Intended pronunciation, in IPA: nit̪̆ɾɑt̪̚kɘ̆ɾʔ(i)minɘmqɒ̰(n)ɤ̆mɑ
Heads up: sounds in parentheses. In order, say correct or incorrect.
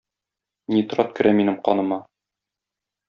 incorrect, correct

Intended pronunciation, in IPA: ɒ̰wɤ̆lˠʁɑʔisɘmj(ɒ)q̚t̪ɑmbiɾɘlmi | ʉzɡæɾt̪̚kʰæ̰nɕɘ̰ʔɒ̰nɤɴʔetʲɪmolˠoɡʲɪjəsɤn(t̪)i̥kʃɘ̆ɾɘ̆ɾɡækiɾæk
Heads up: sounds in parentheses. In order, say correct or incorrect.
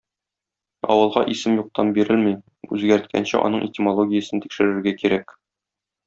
incorrect, correct

